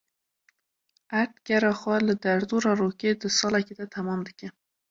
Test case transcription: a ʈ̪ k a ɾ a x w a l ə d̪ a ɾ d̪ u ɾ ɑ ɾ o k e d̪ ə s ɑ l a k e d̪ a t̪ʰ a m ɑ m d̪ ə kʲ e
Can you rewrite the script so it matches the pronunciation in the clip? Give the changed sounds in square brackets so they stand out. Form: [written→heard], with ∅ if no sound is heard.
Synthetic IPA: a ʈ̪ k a ɾ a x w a l ə d̪ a ɾ d̪ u ɾ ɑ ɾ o k e d̪ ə s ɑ l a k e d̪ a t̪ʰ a m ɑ m d̪ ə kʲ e